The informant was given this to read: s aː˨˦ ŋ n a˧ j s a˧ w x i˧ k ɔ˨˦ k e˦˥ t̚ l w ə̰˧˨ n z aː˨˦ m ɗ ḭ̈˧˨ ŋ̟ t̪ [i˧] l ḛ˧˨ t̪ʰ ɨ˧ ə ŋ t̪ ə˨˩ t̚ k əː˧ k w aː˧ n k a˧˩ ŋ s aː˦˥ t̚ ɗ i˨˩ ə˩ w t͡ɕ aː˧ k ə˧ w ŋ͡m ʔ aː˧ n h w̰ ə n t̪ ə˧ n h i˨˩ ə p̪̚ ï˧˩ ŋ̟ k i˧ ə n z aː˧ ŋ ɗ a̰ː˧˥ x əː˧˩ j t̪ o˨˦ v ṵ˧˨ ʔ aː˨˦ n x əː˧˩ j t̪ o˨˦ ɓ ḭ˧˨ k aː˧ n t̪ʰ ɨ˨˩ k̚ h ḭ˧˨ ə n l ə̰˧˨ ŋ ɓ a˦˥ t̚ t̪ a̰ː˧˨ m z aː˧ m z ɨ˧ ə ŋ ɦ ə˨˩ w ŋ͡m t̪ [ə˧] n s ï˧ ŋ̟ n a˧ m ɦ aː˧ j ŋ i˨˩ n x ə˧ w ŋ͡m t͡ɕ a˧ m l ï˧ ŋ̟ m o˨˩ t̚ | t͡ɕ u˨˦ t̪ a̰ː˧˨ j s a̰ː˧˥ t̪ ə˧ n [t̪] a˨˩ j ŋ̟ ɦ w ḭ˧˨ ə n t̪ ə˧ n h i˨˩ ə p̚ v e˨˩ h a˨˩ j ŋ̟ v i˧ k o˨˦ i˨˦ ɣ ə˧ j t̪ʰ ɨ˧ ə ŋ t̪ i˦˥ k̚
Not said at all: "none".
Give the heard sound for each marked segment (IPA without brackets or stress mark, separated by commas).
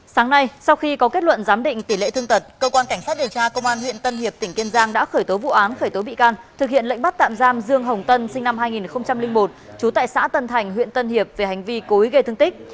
i˧˩, ə˧, t̪ʰ